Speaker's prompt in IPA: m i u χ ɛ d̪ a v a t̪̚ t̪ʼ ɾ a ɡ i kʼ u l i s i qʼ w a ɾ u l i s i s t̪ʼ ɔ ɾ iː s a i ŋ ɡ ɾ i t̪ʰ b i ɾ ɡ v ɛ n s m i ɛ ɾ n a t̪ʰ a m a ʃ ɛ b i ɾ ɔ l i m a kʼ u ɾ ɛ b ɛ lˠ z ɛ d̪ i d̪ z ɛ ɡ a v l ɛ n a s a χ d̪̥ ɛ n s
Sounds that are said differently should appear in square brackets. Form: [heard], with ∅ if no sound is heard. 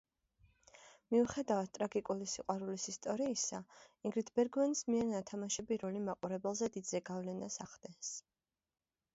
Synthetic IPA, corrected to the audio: m i u χ ɛ d̪ a v a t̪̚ t̪ʼ ɾ a ɡ i kʼ u l i s i qʼ w a ɾ u l i s i s t̪ʼ ɔ ɾ iː s a i ŋ ɡ ɾ i t̪ʰ b [ɛ] ɾ ɡ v ɛ n s m i ɛ ɾ n a t̪ʰ a m a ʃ ɛ b i ɾ ɔ l i m a [qʼ] u ɾ ɛ b ɛ lˠ z ɛ d̪ i d̪ z ɛ ɡ a v l ɛ n a s a χ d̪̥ ɛ n s